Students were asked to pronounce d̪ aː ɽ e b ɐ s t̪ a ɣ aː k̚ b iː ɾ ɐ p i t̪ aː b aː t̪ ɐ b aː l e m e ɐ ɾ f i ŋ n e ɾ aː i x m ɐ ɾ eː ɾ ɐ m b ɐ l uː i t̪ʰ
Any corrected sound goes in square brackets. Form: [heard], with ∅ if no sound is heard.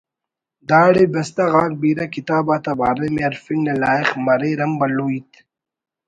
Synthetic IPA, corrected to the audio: d̪ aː ɽ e b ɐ s t̪ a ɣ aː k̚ b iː ɾ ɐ [k] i t̪ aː b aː t̪ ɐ b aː [ɾ] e m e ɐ ɾ f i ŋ n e [l] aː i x m ɐ ɾ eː ɾ ɐ m b ɐ l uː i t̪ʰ